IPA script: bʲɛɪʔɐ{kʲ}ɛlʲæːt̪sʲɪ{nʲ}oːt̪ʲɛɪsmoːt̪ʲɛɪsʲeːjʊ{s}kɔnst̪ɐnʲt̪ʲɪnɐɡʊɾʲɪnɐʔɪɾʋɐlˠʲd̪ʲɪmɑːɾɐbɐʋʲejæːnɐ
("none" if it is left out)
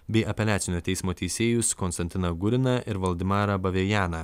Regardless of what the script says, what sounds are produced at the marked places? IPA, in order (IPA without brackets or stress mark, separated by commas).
pʲ, nʲ, s